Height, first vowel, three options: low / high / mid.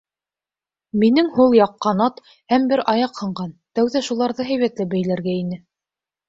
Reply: high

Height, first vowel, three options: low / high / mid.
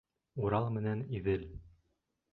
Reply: high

